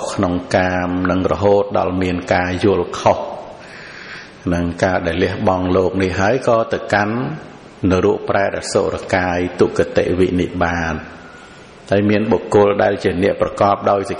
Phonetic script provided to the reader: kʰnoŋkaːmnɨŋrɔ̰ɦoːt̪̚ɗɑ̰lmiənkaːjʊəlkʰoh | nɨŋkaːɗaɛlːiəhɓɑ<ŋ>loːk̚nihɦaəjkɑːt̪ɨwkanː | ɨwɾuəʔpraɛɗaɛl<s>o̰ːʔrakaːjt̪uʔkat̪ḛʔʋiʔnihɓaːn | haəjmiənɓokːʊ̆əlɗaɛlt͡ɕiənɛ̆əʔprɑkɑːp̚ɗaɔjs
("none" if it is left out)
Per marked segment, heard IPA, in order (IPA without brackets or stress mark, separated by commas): ŋ, s